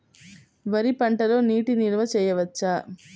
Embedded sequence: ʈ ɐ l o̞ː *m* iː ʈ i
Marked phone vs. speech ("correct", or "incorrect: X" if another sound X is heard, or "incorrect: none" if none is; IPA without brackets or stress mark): incorrect: n